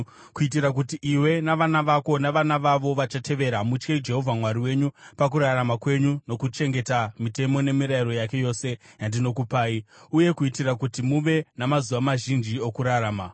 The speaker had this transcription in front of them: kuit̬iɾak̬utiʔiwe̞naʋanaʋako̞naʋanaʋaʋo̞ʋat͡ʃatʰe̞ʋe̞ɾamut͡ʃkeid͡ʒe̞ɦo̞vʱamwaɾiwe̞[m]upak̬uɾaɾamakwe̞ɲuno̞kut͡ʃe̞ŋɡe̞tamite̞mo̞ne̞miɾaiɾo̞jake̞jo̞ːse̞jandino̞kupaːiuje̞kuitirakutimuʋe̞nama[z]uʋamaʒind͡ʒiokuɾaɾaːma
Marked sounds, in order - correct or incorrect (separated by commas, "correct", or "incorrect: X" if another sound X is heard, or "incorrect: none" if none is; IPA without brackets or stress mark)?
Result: incorrect: ɲ, correct